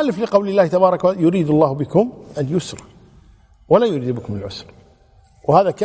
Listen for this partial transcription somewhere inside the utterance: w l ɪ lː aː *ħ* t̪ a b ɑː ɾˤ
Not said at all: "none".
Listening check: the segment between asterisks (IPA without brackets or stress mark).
h